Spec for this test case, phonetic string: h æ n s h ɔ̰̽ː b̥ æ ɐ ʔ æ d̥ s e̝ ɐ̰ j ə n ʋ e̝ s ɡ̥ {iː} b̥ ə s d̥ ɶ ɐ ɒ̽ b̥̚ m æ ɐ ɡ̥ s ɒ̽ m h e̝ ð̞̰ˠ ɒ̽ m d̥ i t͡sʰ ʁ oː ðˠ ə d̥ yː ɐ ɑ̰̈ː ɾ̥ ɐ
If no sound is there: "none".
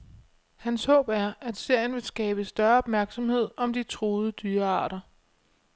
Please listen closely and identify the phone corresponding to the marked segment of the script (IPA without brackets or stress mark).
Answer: ɛː